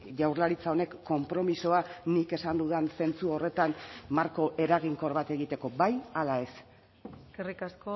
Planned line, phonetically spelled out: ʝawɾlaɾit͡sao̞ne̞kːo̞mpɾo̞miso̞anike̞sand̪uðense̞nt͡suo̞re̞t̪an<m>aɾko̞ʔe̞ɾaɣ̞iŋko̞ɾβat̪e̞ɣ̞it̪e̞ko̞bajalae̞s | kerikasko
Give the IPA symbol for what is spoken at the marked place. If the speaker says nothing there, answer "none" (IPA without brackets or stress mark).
m